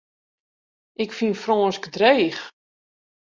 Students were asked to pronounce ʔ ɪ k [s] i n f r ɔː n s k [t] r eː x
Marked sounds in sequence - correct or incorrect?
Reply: incorrect, incorrect

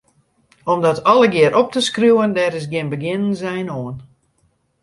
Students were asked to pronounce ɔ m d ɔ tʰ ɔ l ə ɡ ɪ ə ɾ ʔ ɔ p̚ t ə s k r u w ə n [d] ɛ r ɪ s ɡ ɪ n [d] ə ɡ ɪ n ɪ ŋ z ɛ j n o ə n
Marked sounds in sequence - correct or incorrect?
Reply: correct, incorrect

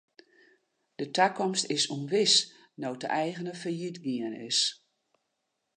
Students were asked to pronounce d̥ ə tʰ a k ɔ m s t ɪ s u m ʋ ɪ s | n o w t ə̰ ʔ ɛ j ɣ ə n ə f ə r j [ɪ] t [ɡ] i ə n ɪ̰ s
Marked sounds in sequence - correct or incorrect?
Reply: incorrect, correct

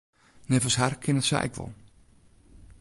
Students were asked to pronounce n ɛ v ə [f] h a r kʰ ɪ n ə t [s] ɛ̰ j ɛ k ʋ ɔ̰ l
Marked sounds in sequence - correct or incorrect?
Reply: incorrect, correct

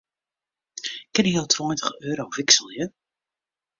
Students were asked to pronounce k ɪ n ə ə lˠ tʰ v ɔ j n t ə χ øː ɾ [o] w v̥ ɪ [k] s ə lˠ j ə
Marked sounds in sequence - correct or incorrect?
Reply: correct, correct

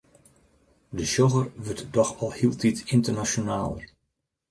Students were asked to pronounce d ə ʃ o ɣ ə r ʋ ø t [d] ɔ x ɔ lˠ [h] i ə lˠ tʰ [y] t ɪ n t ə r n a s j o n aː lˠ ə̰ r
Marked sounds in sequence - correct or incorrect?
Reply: correct, correct, incorrect

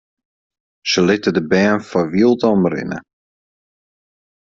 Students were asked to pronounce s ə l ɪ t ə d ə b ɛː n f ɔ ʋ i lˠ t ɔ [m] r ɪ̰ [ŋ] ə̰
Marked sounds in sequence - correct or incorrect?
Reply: correct, incorrect

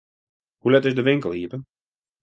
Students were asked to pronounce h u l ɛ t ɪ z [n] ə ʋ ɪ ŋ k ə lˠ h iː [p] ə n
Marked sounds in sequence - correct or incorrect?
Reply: incorrect, correct

